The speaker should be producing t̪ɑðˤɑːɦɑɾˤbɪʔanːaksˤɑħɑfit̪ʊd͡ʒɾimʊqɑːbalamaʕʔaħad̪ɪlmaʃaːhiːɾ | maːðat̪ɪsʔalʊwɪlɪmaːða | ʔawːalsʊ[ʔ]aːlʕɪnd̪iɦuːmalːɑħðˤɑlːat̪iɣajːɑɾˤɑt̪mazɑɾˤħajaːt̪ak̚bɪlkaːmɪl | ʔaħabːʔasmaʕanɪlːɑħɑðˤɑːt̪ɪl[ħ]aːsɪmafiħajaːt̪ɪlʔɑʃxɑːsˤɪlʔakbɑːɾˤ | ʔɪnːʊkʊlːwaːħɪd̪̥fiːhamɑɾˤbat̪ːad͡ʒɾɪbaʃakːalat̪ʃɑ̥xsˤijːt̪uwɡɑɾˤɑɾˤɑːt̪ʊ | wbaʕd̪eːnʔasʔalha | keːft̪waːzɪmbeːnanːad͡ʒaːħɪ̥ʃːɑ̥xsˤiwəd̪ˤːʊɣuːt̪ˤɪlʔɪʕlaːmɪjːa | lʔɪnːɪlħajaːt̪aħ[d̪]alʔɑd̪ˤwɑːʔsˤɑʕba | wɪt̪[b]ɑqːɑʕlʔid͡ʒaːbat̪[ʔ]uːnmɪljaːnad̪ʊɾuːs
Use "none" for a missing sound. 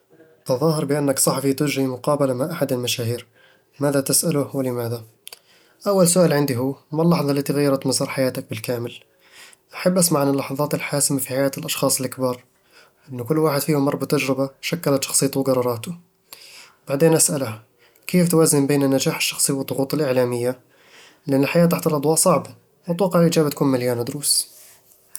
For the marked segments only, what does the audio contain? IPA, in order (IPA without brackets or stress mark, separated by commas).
ʔ, ħ, t̪, w, k